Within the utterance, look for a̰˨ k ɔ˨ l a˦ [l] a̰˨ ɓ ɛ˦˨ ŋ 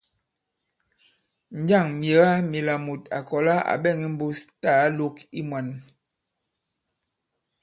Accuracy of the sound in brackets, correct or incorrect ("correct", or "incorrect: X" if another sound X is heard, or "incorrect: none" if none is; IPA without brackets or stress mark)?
incorrect: none